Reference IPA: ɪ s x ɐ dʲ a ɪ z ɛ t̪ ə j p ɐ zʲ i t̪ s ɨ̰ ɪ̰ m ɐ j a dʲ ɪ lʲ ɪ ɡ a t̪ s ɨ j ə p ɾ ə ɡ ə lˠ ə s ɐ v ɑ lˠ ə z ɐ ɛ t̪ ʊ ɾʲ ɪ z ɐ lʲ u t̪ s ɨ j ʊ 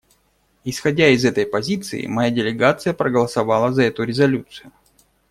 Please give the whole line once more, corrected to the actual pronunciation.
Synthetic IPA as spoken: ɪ s x ɐ dʲ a ɪ z ɛ t̪ ə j p ɐ zʲ i t̪ s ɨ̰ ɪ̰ m ɐ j a dʲ ɪ lʲ ɪ ɡ a t̪ s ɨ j ə p ɾ ə ɡ ə lˠ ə s ɐ v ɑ lˠ ə z ɐ ɛ t̪ ʊ ɾʲ ɪ z ɐ lʲ u t̪ s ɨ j ʊ